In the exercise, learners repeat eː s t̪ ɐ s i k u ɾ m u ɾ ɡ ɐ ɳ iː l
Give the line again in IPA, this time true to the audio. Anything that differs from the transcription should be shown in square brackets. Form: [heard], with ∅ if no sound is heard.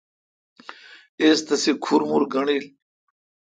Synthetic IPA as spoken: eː s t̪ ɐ s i [kʰ] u ɾ m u ɾ ɡ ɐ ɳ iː l